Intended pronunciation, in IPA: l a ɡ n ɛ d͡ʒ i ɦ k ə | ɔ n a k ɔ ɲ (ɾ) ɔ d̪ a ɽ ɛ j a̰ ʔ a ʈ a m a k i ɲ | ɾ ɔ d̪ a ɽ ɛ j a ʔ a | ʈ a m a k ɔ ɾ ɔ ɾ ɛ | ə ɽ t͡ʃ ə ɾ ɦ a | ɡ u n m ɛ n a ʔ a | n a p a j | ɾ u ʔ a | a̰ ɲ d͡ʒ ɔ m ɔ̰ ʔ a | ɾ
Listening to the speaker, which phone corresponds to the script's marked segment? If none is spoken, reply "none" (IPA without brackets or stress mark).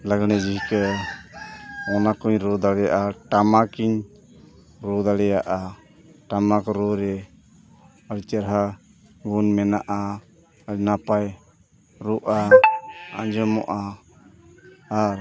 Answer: ɾ